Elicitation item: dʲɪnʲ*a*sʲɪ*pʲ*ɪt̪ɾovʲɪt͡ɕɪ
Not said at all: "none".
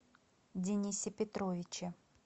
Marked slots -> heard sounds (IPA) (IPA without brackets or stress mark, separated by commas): i, pʲ